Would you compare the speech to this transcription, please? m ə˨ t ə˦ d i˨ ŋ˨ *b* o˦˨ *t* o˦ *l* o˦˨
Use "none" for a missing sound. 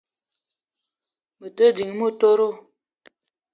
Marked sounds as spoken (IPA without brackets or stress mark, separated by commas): m, t, ɾ